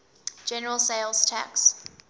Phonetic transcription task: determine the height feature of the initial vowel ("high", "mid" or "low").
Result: mid